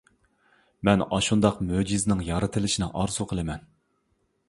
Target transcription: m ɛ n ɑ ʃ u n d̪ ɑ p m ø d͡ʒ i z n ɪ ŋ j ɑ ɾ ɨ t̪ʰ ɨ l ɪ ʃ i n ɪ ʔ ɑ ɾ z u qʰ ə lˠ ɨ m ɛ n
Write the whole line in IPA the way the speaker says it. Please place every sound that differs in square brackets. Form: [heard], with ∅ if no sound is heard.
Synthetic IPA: m ɛ n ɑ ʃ u n d̪ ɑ [q] m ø d͡ʒ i z n ɪ ŋ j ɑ ɾ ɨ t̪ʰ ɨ l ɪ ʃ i n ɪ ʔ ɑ ɾ z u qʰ ə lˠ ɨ m ɛ n